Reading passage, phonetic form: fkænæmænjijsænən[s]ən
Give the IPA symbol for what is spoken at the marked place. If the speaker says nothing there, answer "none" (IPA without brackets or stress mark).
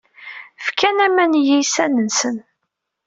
s